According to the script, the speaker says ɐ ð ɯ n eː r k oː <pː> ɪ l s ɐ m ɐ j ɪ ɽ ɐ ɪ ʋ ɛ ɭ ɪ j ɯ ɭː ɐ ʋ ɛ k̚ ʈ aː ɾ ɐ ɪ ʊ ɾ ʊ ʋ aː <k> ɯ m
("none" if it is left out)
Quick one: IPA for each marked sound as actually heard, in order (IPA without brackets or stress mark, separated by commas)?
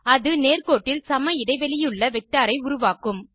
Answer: ʈː, k